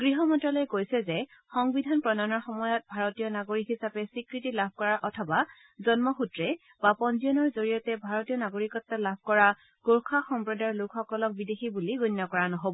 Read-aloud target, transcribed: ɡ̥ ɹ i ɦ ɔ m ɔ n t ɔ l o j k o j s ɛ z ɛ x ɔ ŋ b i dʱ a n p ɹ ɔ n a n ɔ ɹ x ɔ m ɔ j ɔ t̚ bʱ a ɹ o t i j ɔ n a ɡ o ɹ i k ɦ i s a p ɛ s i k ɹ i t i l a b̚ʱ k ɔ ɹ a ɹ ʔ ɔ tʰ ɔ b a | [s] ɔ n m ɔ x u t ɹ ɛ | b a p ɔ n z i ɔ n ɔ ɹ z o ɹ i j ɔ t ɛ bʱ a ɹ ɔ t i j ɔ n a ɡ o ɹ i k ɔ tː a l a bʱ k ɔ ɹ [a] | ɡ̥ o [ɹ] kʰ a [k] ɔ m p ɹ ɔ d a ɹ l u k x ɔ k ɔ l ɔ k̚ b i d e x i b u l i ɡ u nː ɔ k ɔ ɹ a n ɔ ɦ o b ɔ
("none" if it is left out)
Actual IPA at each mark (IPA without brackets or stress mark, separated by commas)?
z, a, ɹ, x